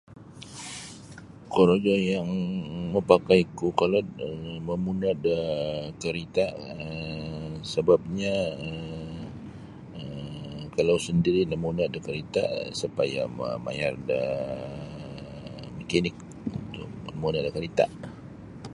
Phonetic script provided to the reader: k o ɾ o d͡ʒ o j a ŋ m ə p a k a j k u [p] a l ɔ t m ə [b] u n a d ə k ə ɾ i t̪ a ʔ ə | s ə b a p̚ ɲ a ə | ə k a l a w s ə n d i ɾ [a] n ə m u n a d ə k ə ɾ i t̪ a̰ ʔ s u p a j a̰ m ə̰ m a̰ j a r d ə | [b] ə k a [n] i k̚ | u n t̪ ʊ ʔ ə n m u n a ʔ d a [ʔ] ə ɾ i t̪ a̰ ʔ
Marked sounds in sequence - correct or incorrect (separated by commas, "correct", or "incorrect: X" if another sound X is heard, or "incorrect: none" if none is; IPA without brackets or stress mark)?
incorrect: k, incorrect: m, incorrect: i, incorrect: m, correct, incorrect: k